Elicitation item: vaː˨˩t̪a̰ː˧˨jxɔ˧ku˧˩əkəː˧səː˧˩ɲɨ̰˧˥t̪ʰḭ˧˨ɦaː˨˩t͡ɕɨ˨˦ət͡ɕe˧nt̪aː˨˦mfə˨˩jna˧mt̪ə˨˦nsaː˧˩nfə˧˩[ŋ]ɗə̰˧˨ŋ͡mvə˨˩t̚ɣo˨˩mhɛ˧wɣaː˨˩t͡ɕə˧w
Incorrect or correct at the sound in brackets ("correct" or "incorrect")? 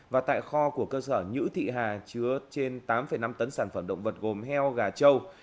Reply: incorrect